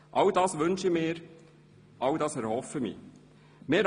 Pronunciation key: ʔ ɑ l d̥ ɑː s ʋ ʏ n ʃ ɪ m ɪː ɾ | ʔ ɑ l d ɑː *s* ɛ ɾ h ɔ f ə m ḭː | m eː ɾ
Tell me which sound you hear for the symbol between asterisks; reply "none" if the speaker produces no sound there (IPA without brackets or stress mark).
s